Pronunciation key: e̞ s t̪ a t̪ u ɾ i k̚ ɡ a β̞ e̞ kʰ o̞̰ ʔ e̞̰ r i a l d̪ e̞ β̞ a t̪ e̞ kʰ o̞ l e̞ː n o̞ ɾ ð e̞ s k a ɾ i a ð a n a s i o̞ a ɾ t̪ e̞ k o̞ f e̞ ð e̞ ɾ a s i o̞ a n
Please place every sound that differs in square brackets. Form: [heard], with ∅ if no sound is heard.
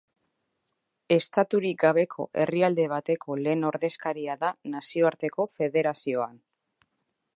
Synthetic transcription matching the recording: e̞ s t̪ a t̪ u ɾ i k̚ ɡ a β̞ e̞ kʰ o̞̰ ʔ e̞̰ r i a l d̪ e̞ β̞ a t̪ e̞ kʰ o̞ l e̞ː n o̞ ɾ ð e̞ s k a ɾ i a ð a n a s i o̞ a ɾ t̪ e̞ k o̞ f e̞ ð e̞ ɾ a s i o̞ a n